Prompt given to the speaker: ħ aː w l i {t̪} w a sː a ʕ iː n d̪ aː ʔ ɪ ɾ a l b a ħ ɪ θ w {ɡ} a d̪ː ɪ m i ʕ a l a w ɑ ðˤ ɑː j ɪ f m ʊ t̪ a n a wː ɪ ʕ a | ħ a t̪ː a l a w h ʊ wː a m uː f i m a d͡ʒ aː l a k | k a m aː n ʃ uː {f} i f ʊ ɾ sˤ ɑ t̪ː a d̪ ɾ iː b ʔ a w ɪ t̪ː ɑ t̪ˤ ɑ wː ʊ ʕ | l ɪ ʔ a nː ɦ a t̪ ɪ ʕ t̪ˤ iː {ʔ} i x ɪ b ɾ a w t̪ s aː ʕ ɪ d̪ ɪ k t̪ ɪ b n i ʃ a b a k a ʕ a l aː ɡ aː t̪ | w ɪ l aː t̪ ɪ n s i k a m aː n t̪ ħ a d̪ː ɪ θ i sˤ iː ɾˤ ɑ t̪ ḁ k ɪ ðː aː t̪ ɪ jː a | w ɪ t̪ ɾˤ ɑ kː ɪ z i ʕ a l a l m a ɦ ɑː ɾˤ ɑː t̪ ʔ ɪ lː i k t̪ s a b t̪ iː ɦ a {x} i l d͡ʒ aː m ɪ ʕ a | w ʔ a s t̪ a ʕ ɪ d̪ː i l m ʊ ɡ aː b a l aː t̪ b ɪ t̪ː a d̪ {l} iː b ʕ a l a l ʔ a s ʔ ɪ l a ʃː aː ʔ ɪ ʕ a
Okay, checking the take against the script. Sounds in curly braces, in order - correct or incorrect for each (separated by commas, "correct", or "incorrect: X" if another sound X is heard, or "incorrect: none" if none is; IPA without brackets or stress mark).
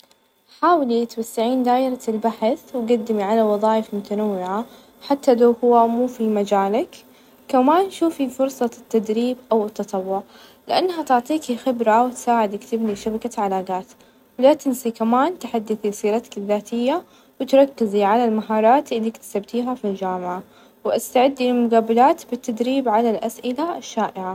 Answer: correct, correct, correct, incorrect: k, incorrect: f, incorrect: ɾ